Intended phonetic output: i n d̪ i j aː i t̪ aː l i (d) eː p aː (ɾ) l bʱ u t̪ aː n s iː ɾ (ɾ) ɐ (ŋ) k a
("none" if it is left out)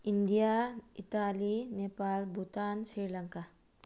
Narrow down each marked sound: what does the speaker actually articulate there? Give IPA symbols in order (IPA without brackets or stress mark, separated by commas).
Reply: n, none, l, ŋ